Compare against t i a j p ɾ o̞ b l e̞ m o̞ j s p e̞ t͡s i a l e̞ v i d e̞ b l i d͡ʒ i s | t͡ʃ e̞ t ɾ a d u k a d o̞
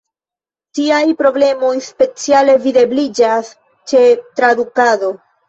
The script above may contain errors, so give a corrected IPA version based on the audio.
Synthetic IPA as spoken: t i a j p ɾ o̞ b l e̞ m o̞ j s p e̞ t͡s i a l e̞ v i d e̞ b l i d͡ʒ a s | t͡ʃ e̞ t ɾ a d u k a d o̞